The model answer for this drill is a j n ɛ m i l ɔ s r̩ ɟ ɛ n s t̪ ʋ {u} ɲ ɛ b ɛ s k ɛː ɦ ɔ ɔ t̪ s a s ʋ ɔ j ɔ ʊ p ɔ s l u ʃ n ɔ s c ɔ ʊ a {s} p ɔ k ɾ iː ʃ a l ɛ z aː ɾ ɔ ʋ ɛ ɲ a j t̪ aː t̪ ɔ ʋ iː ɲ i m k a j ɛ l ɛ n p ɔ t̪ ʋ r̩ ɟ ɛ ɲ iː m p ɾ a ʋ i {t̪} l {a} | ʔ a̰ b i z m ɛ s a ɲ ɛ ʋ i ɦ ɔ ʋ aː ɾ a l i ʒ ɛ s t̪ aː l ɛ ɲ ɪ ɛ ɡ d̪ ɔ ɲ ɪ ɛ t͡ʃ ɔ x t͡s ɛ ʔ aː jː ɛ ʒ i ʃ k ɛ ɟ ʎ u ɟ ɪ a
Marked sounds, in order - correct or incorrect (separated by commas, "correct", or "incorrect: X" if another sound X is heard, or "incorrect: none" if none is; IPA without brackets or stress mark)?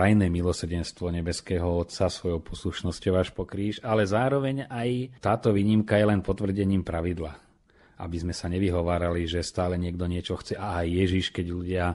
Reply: incorrect: ɔ, incorrect: ʃ, incorrect: d̪, correct